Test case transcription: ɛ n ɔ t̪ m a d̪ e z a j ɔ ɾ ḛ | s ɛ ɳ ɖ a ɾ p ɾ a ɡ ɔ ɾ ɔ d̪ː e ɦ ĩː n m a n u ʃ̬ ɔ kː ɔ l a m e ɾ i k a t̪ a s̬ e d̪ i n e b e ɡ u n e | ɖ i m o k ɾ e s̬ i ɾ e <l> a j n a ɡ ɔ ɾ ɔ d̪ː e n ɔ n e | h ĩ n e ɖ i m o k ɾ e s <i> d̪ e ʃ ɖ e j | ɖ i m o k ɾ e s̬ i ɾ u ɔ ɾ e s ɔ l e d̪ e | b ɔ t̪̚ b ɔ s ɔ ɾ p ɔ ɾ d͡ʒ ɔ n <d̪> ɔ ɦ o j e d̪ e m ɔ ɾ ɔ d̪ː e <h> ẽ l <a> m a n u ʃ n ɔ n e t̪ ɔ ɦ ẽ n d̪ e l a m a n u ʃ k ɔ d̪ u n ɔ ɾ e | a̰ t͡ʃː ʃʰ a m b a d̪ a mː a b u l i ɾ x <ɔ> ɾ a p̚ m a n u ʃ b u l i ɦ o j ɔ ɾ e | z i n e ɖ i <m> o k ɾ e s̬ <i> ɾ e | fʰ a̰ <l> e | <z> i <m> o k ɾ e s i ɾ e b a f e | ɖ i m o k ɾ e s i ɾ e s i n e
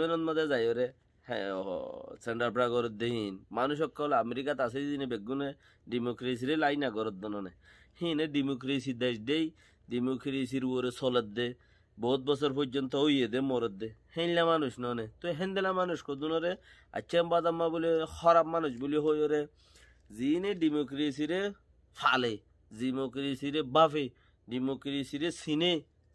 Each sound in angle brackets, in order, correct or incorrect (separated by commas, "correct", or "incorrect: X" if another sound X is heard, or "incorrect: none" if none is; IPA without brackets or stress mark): correct, correct, incorrect: t̪, correct, correct, correct, correct, correct, correct, correct, correct